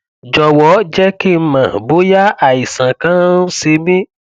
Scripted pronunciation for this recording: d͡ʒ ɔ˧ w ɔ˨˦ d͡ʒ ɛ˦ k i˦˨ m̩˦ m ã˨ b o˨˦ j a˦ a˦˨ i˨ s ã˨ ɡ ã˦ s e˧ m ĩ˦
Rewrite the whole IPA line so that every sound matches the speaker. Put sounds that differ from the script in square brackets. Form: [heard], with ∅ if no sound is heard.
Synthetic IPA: d͡ʒ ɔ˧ w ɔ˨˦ d͡ʒ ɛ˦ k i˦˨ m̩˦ m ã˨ b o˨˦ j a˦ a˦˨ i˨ s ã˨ [k] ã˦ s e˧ m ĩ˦